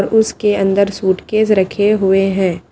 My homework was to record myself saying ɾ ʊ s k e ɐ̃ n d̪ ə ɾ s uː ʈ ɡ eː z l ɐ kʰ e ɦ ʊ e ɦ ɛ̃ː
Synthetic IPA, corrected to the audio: ɾ ʊ s k e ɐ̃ n d̪ ə ɾ s uː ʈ k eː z ɾ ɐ kʰ e ɦ ʊ e ɦ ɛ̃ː